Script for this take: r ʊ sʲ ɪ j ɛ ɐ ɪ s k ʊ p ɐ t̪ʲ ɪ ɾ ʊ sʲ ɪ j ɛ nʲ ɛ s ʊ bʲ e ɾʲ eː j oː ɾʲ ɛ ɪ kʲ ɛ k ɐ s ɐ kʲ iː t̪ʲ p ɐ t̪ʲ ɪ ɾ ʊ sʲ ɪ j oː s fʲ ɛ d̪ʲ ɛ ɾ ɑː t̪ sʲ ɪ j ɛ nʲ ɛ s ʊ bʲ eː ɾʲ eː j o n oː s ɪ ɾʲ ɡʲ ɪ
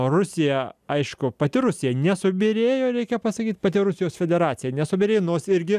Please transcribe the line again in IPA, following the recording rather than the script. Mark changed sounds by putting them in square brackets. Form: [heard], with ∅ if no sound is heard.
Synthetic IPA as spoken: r ʊ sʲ ɪ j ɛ ɐ ɪ [ʃ] k ʊ p ɐ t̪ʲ ɪ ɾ ʊ sʲ ɪ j ɛ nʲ ɛ s ʊ bʲ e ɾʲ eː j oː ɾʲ ɛ ɪ kʲ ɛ [p] ɐ s ɐ kʲ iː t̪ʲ p ɐ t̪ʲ ɪ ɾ ʊ sʲ ɪ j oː s fʲ ɛ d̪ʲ ɛ ɾ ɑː t̪ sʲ ɪ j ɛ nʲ ɛ s ʊ bʲ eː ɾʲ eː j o n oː s ɪ ɾʲ ɡʲ ɪ

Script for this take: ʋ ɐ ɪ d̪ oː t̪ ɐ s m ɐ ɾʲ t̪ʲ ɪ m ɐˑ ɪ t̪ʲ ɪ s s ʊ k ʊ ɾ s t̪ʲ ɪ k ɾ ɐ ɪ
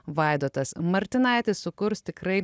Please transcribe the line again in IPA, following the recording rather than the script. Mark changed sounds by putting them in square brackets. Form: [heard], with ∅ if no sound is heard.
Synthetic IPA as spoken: ʋ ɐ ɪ d̪ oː t̪ ɐ s m ɐ ɾʲ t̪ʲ ɪ [n] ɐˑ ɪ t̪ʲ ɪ s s ʊ k ʊ ɾ s t̪ʲ ɪ k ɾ ɐ ɪ

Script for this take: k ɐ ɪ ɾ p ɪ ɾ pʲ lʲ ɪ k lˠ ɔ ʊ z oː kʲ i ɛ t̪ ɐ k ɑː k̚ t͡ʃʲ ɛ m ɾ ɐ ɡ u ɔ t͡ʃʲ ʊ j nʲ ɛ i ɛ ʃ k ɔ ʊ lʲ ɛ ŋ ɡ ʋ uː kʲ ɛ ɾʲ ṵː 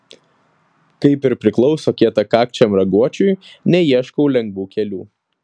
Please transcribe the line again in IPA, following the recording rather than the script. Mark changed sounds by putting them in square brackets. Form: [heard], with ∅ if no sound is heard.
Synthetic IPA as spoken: k ɐ ɪ [∅] p ɪ ɾ pʲ [ɾʲ] ɪ k lˠ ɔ ʊ [s] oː kʲ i ɛ t̪ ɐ k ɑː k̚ t͡ʃʲ ɛ m ɾ ɐ ɡ u ɔ t͡ʃʲ ʊ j nʲ ɛ i ɛ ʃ k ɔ ʊ lʲ ɛ ŋ ɡ ʋ uː kʲ ɛ [lʲ] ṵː

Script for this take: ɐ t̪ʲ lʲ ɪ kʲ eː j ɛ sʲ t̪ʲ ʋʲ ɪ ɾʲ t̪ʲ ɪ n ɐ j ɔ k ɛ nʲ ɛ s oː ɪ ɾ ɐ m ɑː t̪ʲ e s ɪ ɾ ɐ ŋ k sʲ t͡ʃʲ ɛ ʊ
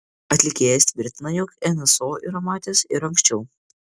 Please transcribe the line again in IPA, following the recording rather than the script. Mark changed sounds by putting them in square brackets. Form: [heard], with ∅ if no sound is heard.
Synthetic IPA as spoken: ɐ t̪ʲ lʲ ɪ kʲ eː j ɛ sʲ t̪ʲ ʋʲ ɪ ɾʲ t̪ʲ ɪ n ɐ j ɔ k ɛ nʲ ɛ s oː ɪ ɾ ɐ m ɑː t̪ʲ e s ɪ ɾ ɐ ŋ k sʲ t͡ʃʲ ɛ ʊ

